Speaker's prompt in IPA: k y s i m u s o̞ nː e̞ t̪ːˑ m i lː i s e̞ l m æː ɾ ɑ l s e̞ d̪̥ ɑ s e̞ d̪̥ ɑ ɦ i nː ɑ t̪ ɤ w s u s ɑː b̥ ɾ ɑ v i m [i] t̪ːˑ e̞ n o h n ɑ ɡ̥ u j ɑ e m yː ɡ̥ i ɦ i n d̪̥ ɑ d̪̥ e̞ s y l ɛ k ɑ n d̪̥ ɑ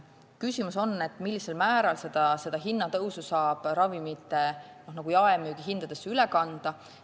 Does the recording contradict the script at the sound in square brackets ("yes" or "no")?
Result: no